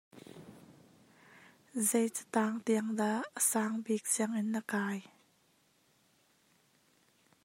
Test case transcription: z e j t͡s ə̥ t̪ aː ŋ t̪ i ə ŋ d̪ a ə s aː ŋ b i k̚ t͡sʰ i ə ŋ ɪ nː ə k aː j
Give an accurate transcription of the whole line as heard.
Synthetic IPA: z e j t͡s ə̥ t̪ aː ŋ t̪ i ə ŋ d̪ a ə s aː ŋ b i k̚ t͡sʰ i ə ŋ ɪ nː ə k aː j